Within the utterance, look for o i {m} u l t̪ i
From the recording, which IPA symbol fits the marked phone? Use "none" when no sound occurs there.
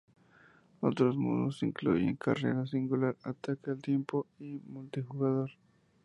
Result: m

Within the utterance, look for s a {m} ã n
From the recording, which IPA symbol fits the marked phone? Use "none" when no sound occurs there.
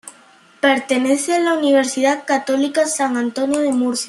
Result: ŋ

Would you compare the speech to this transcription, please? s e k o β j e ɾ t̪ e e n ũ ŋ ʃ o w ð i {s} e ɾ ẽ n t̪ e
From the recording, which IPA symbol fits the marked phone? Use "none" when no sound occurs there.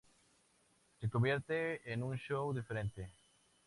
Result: f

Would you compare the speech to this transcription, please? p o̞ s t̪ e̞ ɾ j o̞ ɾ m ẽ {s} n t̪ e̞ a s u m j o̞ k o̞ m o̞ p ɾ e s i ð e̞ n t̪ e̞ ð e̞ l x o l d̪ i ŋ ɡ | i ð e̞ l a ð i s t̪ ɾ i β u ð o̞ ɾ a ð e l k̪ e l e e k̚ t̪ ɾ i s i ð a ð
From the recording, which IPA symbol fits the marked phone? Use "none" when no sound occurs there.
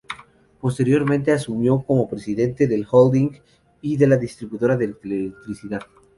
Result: none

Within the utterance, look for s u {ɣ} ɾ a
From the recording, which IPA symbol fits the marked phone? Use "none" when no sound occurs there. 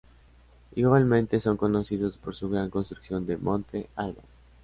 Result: ɣ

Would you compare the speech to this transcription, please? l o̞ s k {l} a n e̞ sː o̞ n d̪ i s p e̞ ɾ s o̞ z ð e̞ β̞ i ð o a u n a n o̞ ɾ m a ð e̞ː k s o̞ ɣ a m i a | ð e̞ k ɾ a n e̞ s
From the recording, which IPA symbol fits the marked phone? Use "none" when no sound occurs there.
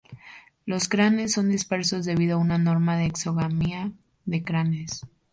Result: ɾ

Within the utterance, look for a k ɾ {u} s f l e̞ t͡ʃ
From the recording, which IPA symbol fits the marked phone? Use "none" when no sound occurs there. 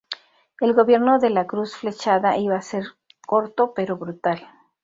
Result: u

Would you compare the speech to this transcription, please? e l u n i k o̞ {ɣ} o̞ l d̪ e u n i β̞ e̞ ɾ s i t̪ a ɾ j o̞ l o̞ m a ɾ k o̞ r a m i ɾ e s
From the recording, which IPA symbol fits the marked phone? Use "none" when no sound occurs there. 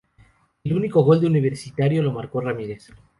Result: ɣ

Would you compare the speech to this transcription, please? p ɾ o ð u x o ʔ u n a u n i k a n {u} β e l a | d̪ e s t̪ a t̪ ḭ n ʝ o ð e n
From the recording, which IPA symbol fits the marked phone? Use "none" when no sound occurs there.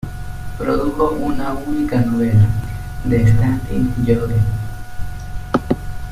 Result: o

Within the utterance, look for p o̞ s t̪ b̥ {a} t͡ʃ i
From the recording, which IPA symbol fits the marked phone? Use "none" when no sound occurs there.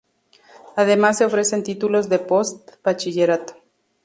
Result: a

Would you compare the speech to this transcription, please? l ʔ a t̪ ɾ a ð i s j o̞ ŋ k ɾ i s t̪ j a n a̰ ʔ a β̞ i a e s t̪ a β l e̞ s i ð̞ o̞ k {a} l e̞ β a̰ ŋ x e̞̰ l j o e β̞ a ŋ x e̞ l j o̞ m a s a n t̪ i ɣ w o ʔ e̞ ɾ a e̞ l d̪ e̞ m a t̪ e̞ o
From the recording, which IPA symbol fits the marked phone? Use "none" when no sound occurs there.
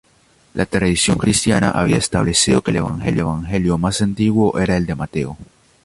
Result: e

